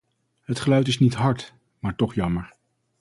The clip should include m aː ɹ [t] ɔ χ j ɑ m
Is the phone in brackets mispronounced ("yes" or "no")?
no